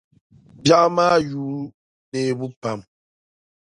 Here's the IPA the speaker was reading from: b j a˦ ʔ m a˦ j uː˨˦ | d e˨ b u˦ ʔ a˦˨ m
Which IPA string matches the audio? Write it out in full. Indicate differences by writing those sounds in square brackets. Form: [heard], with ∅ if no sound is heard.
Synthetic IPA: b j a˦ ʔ m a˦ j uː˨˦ | [n] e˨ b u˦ [p] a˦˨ m